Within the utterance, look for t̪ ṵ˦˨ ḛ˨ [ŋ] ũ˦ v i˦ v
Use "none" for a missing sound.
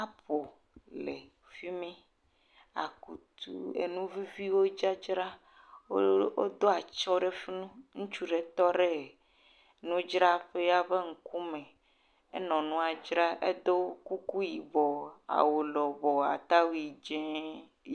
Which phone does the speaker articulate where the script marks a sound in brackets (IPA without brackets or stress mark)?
n